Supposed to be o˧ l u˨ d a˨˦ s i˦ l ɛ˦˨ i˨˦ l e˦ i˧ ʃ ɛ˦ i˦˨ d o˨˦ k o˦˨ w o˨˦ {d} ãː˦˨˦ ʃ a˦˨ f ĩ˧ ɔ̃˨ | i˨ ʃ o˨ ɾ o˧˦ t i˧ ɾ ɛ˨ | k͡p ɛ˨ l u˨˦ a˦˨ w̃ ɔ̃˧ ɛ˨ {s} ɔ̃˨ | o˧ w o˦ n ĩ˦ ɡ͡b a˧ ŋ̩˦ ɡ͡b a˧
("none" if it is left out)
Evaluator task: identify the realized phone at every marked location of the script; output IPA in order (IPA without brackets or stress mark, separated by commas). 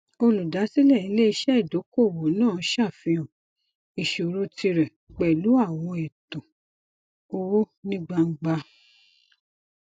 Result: n, t